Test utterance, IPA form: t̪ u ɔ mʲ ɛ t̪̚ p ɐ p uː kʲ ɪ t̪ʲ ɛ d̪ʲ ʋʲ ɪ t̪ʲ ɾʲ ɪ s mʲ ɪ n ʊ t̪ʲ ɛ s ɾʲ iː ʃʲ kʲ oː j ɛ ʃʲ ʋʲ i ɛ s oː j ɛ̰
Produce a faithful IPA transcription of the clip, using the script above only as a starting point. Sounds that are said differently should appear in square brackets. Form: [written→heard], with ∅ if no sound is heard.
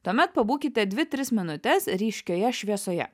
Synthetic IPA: t̪ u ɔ mʲ ɛ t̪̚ p ɐ [p→b] uː kʲ ɪ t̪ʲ ɛ d̪ʲ ʋʲ ɪ t̪ʲ ɾʲ ɪ s mʲ ɪ n ʊ t̪ʲ ɛ s ɾʲ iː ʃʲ kʲ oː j ɛ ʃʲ ʋʲ i ɛ s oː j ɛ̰